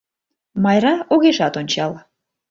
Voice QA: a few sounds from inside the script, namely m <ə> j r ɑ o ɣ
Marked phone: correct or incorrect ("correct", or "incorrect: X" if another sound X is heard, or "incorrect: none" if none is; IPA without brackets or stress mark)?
incorrect: ɑ